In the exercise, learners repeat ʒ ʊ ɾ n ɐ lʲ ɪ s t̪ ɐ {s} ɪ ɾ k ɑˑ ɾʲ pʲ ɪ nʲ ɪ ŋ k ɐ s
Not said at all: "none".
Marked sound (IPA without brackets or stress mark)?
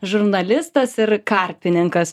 s